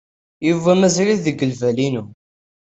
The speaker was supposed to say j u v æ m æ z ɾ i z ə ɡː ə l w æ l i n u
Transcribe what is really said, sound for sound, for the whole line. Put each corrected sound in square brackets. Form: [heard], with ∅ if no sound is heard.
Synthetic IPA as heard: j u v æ m æ z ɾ i [ð] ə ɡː ə l [v] æ l i n u